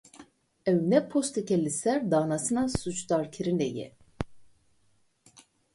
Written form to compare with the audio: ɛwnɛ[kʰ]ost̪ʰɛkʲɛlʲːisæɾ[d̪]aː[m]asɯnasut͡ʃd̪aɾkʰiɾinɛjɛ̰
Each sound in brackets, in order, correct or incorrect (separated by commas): incorrect, correct, incorrect